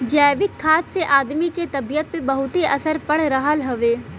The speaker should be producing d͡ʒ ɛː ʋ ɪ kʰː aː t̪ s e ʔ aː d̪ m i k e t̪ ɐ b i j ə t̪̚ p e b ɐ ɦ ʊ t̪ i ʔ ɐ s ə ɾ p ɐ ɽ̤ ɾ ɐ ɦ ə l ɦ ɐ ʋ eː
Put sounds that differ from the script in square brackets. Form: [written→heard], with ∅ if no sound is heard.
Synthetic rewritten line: d͡ʒ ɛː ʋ ɪ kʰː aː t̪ s e ʔ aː d̪ m i k e t̪ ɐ b i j ə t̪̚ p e b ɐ ɦ ʊ t̪ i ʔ ɐ s ə ɾ p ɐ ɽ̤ ɾ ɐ ɦ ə l ɦ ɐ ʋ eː